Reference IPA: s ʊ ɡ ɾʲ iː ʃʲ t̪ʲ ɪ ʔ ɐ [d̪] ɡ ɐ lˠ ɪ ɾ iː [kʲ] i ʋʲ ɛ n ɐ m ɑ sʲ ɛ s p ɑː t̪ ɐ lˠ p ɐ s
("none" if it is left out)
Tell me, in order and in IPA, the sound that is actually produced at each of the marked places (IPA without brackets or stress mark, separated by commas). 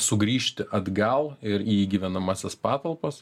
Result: d̪, ɡʲ